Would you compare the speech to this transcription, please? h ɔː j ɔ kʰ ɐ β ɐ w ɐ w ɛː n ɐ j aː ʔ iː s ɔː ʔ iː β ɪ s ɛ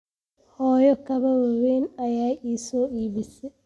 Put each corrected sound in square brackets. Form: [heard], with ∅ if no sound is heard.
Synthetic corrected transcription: h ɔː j ɔ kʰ ɐ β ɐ w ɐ w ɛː n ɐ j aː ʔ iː s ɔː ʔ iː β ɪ s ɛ